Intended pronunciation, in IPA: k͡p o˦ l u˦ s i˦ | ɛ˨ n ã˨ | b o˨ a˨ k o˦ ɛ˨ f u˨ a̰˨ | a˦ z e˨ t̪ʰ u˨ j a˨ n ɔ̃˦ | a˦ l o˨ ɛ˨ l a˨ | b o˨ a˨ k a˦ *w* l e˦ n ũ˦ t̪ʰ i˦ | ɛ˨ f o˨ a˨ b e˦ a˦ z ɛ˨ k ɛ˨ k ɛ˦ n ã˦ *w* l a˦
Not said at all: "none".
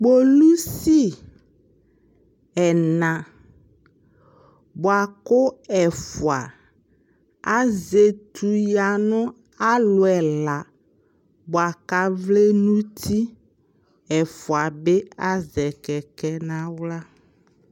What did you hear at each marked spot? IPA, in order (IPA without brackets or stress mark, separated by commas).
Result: v, w